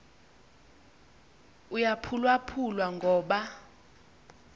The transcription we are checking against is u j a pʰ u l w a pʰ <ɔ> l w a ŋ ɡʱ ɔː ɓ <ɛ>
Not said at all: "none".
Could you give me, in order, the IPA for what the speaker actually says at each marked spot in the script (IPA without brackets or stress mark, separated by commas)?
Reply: u, a